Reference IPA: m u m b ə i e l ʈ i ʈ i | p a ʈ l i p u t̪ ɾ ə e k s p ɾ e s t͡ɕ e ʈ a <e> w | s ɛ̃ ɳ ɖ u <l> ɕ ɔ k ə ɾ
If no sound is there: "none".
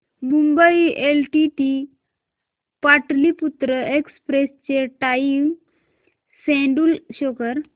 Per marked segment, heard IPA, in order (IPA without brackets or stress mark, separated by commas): i, l